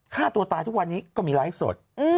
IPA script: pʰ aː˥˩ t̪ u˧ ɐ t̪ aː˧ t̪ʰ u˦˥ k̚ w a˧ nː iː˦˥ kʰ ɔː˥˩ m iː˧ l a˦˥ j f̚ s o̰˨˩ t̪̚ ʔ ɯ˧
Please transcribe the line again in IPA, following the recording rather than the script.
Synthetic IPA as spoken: kʰ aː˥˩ t̪ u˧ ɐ t̪ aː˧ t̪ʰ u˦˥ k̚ w a˧ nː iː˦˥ k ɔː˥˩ m iː˧ l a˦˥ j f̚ s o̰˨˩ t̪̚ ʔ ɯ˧

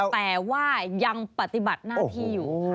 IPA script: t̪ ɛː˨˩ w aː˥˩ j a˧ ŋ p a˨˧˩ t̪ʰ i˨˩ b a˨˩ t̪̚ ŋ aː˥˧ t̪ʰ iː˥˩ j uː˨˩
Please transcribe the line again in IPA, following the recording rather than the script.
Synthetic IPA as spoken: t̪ ɛː˨˩ w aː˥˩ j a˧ ŋ p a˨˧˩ t̪ i˨˩ b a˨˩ t̪̚ n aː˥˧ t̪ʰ iː˥˩ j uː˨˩

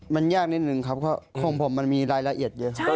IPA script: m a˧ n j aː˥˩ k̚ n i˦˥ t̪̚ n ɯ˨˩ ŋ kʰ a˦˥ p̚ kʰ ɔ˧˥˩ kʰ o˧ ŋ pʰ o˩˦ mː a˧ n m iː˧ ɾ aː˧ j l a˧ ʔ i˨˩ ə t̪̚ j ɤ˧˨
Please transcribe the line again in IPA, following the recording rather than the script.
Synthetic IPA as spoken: m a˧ n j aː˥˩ k̚ n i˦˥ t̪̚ n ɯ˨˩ ŋ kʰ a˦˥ p̚ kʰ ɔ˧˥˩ kʰ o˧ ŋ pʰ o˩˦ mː a˧ n m iː˧ ɾ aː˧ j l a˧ ʔ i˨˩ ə t̪̚ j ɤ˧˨

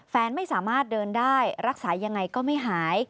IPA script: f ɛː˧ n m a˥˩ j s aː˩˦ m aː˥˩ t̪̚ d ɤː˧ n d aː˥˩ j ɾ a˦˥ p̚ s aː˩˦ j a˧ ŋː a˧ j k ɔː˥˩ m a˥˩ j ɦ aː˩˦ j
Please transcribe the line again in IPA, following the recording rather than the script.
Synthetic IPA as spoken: f ɛː˧ n m a˥˩ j s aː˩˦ m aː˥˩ t̪̚ d ɤː˧ n d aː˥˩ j ɾ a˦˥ k̚ s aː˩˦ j a˧ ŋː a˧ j k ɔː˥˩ m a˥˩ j ɦ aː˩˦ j

